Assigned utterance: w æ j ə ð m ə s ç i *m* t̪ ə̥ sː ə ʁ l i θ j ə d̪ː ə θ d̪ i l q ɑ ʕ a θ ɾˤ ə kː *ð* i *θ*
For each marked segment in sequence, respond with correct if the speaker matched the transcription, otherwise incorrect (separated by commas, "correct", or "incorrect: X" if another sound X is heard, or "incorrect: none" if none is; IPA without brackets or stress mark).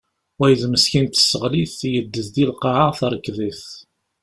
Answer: incorrect: n, correct, correct